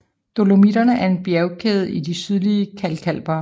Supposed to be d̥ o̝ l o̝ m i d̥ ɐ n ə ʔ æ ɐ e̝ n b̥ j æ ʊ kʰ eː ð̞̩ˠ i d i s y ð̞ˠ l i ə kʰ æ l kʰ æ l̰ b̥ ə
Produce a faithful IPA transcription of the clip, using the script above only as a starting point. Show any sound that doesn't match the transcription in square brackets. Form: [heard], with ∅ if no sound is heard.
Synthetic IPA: d̥ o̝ l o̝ m i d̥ ɐ n ə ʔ æ ɐ e̝ n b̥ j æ ʊ kʰ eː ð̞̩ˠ i d i s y ð̞ˠ l i ə kʰ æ l kʰ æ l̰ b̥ [ɐ]